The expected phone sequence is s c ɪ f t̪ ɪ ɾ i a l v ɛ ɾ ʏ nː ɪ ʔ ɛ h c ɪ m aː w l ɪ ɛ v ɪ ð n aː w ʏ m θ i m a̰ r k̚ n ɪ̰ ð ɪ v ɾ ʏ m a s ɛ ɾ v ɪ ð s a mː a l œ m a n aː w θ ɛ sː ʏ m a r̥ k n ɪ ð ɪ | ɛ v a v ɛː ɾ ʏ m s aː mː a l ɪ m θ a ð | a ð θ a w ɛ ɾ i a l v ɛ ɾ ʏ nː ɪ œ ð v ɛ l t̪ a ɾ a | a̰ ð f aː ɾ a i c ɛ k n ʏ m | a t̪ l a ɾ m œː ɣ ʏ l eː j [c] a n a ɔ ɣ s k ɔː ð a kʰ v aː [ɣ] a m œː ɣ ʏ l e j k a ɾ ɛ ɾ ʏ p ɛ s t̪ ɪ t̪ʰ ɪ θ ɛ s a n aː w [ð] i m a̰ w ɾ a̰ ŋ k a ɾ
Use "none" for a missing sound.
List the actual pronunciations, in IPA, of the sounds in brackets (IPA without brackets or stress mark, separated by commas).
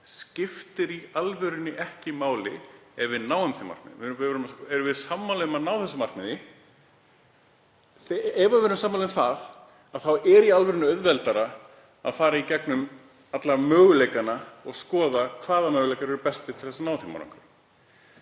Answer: k, ð, θ